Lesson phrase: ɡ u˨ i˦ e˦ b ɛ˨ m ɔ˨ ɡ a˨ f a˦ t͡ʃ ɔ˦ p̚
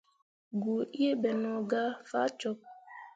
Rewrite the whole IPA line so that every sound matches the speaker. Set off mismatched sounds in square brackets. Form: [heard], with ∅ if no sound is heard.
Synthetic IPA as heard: ɡ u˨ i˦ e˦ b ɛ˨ [n] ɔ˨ ɡ [a˦] f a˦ t͡ʃ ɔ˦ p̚